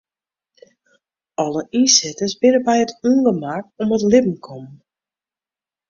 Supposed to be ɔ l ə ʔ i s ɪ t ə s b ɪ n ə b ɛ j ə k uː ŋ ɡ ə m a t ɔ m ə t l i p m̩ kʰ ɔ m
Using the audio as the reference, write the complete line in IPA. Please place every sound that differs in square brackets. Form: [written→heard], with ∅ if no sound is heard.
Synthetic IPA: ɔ l ə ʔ i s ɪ t ə s b ɪ n ə b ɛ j ə [k→t] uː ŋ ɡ ə m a [t→k] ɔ m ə t l [i→ɪ] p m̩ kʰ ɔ m